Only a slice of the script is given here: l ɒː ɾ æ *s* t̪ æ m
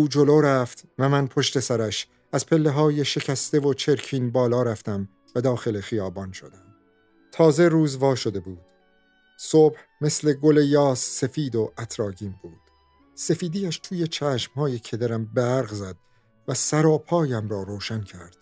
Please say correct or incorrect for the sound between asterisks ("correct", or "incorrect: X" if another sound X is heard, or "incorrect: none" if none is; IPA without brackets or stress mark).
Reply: incorrect: f